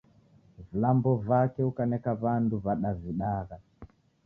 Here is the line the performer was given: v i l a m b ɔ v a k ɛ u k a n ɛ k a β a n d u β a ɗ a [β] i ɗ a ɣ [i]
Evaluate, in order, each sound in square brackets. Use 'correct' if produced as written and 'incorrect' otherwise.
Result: incorrect: v, incorrect: a

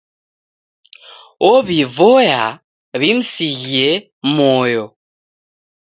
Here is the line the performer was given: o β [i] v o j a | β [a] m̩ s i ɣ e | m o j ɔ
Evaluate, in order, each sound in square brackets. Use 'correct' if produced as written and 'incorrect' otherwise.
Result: correct, incorrect: i

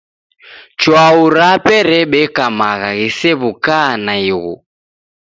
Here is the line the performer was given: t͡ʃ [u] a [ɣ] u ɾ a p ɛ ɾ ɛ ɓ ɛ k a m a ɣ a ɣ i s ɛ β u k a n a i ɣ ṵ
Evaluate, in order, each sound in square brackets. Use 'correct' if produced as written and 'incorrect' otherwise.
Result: incorrect: w, incorrect: none

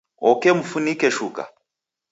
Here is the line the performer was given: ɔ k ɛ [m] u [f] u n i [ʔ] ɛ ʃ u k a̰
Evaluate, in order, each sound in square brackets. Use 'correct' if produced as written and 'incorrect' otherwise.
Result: correct, correct, incorrect: k

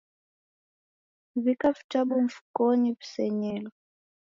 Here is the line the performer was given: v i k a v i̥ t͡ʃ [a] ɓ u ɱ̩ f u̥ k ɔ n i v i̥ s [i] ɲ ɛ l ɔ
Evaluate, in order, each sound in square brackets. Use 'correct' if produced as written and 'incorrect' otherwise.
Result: correct, incorrect: ɛ

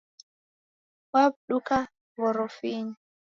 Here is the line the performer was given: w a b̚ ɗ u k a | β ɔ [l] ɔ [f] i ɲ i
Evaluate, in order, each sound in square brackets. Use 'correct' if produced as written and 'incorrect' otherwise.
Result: incorrect: ɾ, correct

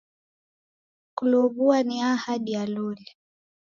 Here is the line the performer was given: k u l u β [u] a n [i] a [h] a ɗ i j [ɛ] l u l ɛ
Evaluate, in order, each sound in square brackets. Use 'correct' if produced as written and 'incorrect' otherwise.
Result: correct, correct, correct, incorrect: a

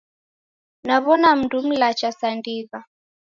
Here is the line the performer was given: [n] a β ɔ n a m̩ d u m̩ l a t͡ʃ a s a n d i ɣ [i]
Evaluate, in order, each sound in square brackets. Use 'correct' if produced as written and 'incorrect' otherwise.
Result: correct, incorrect: a

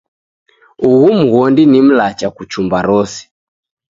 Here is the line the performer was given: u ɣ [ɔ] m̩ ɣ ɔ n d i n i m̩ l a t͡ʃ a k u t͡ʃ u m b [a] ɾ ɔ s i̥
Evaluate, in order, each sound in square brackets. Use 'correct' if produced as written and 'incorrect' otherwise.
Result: incorrect: u, correct

